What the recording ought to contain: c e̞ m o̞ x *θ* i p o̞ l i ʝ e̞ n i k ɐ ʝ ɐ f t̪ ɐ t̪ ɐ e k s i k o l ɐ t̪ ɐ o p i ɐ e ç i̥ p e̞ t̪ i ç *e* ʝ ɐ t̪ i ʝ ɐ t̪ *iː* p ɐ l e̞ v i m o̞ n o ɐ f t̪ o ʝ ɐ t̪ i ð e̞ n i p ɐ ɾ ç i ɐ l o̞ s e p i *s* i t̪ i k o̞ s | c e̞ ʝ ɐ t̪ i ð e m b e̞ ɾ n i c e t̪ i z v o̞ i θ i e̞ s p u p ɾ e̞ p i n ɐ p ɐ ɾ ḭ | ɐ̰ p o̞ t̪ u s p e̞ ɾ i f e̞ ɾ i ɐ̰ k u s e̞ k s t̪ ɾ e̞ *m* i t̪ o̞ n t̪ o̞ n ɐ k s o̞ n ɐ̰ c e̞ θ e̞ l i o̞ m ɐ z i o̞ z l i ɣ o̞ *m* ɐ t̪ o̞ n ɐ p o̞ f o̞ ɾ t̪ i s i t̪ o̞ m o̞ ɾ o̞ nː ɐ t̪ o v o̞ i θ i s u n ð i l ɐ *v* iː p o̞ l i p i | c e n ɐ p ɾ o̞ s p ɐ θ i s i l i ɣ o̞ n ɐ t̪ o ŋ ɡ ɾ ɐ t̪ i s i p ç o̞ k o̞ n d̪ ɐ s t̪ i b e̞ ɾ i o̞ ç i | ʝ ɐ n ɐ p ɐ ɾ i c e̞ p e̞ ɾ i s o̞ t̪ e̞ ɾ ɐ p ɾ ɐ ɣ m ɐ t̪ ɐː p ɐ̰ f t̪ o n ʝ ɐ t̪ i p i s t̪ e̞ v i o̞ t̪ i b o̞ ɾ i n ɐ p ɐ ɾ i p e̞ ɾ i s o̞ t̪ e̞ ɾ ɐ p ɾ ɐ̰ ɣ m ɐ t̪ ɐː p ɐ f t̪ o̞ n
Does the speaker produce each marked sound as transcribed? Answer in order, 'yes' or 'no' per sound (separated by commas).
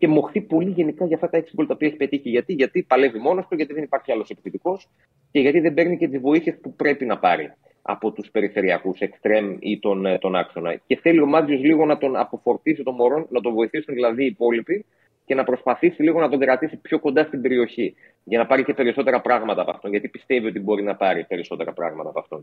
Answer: yes, no, no, no, yes, no, no